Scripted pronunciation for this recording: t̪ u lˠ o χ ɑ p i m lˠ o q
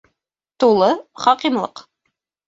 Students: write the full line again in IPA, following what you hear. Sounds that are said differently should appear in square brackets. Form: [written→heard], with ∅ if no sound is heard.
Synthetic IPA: t̪ u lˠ [o→ɤ] χ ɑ [p→q] i m lˠ [o→ɤ] q